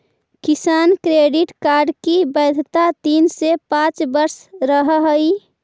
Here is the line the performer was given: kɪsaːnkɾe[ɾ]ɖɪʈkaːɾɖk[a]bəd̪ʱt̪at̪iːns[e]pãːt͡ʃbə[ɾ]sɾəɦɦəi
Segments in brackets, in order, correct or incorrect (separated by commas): incorrect, incorrect, correct, correct